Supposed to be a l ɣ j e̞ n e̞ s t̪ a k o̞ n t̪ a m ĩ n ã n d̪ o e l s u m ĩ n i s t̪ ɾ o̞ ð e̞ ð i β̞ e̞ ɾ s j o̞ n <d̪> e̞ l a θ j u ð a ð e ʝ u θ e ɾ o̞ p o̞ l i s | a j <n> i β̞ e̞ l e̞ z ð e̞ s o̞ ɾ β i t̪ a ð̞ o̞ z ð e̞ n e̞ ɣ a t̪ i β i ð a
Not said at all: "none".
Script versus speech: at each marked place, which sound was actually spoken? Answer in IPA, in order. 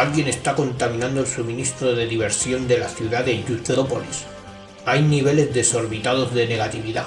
d̪, n

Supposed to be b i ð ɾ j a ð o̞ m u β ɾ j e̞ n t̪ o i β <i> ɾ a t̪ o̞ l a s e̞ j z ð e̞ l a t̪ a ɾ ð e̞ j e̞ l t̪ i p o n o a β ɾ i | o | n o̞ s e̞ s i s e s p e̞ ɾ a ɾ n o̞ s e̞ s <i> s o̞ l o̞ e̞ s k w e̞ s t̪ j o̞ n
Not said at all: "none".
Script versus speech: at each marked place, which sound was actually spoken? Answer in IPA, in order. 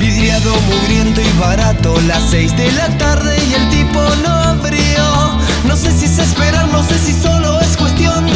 a, i

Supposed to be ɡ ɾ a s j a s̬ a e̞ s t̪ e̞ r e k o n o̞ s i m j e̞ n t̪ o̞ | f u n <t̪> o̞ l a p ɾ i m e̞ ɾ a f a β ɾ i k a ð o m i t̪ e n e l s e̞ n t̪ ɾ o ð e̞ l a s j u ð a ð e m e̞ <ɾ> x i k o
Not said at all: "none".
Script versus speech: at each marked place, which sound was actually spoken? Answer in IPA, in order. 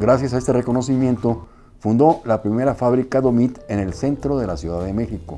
d̪, none

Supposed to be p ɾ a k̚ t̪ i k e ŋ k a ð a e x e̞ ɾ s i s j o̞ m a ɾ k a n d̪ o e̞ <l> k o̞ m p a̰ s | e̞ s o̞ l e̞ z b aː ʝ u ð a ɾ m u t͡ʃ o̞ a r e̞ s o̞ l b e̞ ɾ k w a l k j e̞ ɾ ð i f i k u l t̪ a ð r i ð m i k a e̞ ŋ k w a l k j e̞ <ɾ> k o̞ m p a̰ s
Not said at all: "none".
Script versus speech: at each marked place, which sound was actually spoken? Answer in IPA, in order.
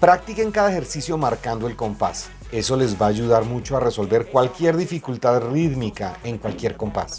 l, ɾ

